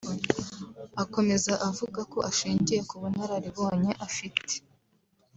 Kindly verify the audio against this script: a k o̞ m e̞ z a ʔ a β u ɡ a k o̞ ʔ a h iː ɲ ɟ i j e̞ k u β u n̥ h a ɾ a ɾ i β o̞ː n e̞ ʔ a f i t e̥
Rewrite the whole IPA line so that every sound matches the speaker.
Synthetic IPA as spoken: a k o̞ m e̞ z a ʔ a v u ɡ a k o̞ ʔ a ʃ iː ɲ ɟ i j e̞ k u β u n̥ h a ɾ a ɾ i β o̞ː ɲ e̞ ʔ a f i t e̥